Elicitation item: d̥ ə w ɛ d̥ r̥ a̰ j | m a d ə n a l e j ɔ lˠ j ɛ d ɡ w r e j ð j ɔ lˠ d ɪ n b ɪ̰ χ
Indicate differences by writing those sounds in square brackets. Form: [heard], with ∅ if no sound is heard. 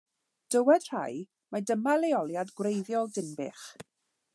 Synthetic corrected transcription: d̥ ə w ɛ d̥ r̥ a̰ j | m a d ə [m] a l e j ɔ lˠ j [a] d ɡ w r e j ð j ɔ lˠ d ɪ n b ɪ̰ χ